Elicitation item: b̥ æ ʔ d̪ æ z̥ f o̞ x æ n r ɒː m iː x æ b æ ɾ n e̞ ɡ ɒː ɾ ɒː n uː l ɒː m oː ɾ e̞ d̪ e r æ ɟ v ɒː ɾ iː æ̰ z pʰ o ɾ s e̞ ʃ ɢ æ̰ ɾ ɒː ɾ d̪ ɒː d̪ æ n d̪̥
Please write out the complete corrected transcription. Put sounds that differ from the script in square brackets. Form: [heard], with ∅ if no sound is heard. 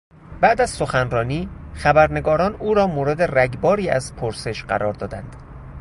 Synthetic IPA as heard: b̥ æ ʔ d̪ æ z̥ [s] o̞ x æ n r ɒː [n] iː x æ b æ ɾ n e̞ ɡ ɒː ɾ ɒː n uː [ɾ] ɒː m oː ɾ e̞ d̪ e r æ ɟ [b] ɒː ɾ iː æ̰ z pʰ o ɾ s e̞ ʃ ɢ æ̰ ɾ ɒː ɾ d̪ ɒː d̪ æ n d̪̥